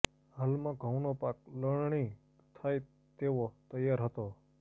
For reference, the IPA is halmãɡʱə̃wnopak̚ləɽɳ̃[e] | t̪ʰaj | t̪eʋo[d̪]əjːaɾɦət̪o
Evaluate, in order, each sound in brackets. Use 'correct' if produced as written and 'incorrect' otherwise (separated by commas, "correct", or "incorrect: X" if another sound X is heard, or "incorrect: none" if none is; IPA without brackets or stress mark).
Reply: incorrect: i, incorrect: t̪